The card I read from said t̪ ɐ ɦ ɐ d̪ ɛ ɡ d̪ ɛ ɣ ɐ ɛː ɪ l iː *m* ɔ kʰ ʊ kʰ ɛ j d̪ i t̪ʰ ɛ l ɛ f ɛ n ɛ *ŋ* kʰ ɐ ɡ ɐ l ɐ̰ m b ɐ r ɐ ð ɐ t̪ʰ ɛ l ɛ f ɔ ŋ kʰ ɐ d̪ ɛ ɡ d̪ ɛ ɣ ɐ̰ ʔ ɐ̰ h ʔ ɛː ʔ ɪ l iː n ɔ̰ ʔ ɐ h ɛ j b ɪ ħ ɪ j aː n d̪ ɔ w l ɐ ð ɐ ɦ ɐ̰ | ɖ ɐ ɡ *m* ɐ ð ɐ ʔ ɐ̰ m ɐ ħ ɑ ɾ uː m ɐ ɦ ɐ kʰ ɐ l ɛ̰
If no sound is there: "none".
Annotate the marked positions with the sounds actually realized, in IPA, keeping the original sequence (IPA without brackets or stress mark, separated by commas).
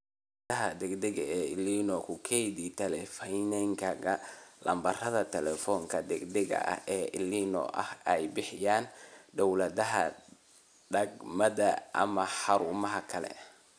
n, ŋ, m